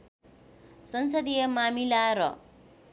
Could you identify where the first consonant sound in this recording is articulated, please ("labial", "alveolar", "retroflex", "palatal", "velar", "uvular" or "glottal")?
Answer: alveolar